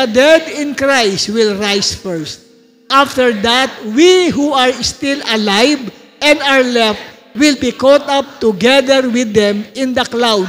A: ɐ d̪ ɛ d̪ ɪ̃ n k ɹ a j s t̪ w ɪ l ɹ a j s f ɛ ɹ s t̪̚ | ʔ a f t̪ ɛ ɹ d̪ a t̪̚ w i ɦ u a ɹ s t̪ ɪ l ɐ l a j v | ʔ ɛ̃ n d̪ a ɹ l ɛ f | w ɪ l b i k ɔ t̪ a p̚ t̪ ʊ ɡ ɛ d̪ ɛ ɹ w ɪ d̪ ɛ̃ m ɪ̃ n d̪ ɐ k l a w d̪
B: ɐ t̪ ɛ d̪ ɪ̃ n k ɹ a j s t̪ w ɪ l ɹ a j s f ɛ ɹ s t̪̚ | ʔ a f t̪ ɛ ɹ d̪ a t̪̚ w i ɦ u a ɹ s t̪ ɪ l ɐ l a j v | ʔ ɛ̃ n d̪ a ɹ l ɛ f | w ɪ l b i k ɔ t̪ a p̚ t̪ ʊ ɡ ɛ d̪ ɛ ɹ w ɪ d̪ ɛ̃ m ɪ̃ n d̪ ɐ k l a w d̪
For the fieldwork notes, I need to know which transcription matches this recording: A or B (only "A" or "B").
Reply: A